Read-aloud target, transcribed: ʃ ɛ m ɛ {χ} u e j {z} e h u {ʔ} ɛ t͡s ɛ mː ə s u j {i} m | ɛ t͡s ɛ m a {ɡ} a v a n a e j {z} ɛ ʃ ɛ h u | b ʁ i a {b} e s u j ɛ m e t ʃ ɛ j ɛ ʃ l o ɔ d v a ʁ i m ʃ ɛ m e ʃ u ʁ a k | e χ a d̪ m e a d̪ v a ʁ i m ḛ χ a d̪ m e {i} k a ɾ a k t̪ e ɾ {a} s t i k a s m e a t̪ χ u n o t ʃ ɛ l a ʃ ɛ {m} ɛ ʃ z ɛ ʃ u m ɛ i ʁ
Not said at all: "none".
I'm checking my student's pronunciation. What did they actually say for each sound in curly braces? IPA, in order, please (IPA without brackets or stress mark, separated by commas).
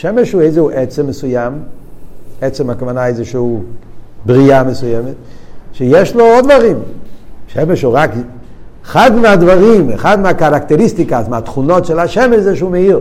ʃ, z, ʔ, a, k, z, m, a, i, m